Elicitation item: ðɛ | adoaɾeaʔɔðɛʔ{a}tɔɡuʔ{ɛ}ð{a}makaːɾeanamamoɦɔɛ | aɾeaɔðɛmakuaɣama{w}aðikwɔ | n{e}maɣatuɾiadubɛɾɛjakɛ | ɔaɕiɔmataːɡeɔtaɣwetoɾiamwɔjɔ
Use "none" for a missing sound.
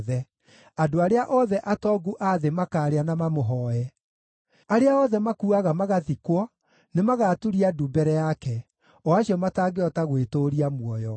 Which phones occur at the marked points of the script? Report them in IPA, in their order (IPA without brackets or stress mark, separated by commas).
a, a, e, ɣ, e